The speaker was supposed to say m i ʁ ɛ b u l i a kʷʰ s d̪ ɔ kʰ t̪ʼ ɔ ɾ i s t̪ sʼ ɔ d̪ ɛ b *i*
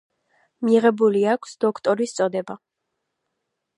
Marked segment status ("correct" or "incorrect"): incorrect